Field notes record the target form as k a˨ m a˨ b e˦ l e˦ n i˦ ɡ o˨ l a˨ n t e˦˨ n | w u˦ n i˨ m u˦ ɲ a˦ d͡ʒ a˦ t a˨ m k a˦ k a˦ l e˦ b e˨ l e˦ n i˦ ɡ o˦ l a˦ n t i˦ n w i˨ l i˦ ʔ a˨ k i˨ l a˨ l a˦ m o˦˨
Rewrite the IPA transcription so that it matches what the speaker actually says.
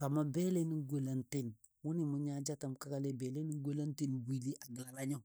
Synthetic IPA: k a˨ m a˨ b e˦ l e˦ n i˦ ɡ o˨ l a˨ n t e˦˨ n | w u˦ n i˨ m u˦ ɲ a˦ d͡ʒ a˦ t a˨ m k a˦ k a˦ l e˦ b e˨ l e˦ n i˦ ɡ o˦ l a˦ n t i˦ n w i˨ l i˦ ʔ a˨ ɡ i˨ l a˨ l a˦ ɲ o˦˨